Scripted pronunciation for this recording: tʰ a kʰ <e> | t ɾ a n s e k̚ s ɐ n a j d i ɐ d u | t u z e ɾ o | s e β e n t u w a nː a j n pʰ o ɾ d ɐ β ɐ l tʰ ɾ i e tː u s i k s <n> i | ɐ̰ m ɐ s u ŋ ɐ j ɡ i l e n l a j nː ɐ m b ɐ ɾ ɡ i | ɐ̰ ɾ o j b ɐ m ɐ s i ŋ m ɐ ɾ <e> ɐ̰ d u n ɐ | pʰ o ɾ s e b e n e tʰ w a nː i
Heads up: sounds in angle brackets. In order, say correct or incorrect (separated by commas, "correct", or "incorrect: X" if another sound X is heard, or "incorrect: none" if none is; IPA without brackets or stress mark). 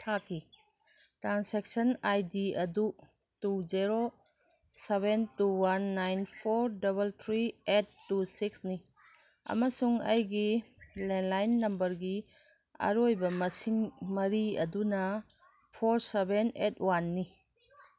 incorrect: i, correct, incorrect: i